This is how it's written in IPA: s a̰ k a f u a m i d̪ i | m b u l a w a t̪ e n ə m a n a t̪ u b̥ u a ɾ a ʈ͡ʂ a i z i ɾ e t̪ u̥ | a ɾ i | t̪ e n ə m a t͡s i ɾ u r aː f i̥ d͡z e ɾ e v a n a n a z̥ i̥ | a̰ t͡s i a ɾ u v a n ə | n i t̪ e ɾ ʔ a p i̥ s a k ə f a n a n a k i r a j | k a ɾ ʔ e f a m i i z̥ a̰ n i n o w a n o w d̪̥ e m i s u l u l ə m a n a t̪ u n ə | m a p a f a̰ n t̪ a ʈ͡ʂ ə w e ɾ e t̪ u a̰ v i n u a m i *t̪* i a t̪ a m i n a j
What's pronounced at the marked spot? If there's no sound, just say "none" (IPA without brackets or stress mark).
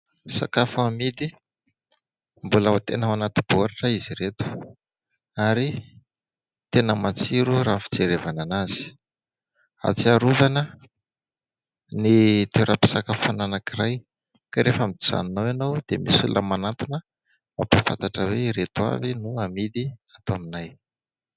d̪